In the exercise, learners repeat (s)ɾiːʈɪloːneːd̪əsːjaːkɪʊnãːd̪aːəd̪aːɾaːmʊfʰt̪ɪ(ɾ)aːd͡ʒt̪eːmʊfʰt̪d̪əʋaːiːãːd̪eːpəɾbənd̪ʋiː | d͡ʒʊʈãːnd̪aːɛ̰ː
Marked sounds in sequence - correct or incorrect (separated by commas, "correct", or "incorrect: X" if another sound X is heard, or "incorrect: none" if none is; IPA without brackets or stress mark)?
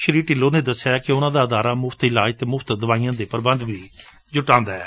incorrect: ʃ, incorrect: l